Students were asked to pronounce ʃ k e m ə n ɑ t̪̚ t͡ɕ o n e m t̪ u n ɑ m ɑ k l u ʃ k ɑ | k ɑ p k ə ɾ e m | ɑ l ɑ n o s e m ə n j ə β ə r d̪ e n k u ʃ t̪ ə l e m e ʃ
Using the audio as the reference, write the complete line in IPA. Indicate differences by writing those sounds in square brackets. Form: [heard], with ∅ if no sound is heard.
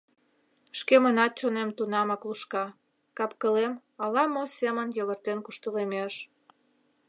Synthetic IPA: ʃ k e m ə n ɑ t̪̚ t͡ɕ o n e m t̪ u n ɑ m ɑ k l u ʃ k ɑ | k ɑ p k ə [l] e m | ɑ l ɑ [m] o s e m ə n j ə β ə r [t̪] e n k u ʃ t̪ ə l e m e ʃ